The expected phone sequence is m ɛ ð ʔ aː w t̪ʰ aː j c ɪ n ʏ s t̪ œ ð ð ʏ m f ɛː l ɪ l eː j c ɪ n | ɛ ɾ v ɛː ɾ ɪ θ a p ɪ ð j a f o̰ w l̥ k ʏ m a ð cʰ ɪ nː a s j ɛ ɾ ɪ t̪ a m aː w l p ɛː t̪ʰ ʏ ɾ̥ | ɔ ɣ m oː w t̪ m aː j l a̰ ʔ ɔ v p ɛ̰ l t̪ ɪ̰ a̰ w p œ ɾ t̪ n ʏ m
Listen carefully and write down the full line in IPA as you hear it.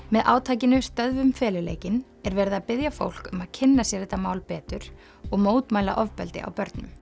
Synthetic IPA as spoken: m ɛ ð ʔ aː w t̪ʰ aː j c ɪ n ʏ s t̪ œ ð v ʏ m f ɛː l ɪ l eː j c ɪ n | ɛ ɾ v ɛː ɾ ɪ ð a p ɪ ð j a f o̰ w l̥ k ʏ m a ð cʰ ɪ nː a s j ɛ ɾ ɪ t̪ a m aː w l p ɛː t̪ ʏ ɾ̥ | ɔ ɣ m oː w t̪ m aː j l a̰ ʔ ɔ v p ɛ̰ l t̪ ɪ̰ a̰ w p œ ɾ t̪ n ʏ m

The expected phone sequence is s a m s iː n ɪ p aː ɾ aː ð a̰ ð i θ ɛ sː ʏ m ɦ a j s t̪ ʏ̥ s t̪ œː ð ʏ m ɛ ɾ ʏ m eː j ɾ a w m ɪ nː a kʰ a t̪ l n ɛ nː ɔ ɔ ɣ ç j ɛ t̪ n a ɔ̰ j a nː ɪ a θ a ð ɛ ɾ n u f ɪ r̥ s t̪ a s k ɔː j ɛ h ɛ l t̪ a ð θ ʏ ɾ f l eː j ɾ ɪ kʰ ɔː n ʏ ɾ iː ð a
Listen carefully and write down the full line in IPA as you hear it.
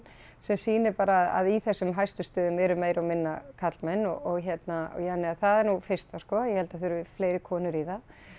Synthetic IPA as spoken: s ɛ m s iː n ɪ p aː ɾ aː ð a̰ ð i θ ɛ sː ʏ m ɦ a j s t̪ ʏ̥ s t̪ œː ð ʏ m ɛ ɾ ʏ m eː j ɾ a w m ɪ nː a kʰ a t̪ l m ɛ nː ɔ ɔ ɣ ç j ɛ t̪ n a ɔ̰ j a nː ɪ a θ a ð ɛ ɾ n u f ɪ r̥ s t̪ a s k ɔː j ɛ h ɛ l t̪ a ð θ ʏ ɾ f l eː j ɾ ɪ kʰ ɔː n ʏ ɾ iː ð a

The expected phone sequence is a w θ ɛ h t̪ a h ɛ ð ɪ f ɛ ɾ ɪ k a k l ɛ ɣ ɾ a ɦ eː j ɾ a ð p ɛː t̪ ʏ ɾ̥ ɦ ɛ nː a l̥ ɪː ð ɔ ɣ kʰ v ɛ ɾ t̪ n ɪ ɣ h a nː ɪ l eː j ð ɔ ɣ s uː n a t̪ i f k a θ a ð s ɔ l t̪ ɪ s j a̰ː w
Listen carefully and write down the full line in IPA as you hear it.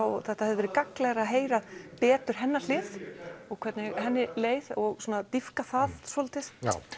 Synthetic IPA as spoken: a w θ ɛ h t̪ a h ɛ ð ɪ v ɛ ɾ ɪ k a k l ɛ ɣ ɾ a ɦ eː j ɾ a ð p ɛː t̪ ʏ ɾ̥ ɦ ɛ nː a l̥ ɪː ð ɔ ɣ kʰ v ɛ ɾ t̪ n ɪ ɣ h ɛ nː ɪ l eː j ð ɔ ɣ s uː n a t̪ i f k a θ a ð s ɔ l t̪ ɪ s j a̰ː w

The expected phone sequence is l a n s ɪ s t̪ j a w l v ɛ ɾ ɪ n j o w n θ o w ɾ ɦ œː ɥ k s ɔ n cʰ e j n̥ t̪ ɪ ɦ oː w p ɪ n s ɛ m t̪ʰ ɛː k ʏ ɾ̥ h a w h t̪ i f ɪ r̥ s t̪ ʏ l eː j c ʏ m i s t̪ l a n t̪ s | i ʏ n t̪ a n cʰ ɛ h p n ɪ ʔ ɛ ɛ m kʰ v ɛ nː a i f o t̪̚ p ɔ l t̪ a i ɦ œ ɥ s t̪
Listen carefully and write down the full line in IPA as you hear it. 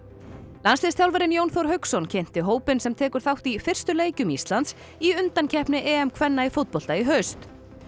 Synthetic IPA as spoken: l a n s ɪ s t̪ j a w l v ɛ ɾ ɪ n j o w n θ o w ɾ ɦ œ ɥ k s ɔ n cʰ e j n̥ t̪ ɪ ɦ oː w p ɪ n s ɛ m t̪ʰ ɛː k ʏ ɾ̥ θ a w h t̪ i f ɪ r̥ s t̪ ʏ l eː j c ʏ m i s t̪ l a n t̪ s | i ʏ n t̪ a n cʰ ɛ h p n ɪ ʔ ɛ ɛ m kʰ v ɛ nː a i f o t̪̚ p ɔ l t̪ a i ɦ œ ɥ s t̪

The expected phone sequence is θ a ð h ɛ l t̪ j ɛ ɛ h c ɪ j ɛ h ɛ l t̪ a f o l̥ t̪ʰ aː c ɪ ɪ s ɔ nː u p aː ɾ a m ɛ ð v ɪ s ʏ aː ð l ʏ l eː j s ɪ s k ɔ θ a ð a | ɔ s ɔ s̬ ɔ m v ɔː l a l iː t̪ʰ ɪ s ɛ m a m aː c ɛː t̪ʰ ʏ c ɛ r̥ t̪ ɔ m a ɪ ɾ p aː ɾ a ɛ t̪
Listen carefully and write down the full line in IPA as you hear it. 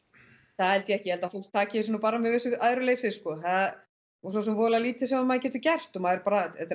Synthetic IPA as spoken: θ a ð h ɛ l t̪ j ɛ ɛ h c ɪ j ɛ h ɛ l t̪ a f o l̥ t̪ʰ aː c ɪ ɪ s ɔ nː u p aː ɾ a m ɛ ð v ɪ s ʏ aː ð ɾ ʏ l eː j s ɪ s k ɔ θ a ð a | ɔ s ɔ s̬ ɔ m v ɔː l a l iː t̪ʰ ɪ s ɛ m a m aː c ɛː t̪ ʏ c ɛ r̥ t̪ ɔ m a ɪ ɾ p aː ɾ a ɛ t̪

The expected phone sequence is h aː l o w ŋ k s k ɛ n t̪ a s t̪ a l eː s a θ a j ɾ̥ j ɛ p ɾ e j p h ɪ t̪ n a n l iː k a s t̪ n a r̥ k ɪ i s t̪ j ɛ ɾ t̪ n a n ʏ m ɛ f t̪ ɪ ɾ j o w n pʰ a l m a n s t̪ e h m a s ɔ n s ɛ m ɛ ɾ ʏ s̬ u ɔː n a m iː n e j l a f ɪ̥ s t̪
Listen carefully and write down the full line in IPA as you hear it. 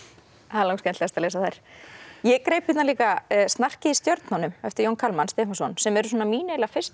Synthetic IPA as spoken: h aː l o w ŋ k s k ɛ n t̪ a s t̪ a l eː s a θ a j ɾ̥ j ɛ k ɾ e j p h ɪ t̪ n a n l iː k a s t̪ n a r̥ c ɪ i s t̪ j œ ɾ t̪ n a n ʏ m ɛ f t̪ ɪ ɾ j o w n kʰ a l m a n s t̪ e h m a s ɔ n s ɛ m ɛ ɾ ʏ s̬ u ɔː n a m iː n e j l a f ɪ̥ s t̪

